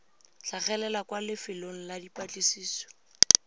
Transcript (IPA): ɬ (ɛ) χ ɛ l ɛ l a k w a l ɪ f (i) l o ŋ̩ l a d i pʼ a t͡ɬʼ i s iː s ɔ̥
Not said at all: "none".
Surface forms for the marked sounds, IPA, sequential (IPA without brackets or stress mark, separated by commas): a, ɪ